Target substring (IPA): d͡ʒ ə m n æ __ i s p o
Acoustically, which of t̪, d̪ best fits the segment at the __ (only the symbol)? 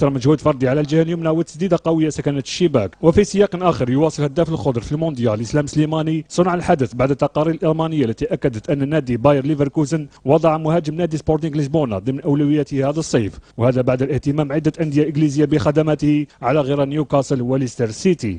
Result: d̪